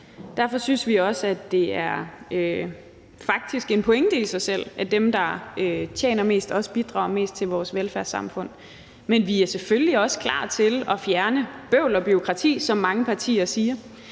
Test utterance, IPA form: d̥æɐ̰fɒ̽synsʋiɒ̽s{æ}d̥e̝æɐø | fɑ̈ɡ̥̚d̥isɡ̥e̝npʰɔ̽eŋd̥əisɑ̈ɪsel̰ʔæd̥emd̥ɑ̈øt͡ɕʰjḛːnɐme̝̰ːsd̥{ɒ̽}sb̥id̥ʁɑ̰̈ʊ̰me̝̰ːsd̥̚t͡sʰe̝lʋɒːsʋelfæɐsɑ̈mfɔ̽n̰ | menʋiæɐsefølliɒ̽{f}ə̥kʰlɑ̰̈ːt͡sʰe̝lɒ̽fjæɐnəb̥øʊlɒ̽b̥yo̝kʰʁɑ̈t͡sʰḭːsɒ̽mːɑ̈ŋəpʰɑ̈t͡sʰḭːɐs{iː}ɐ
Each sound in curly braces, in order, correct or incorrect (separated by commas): correct, correct, incorrect, correct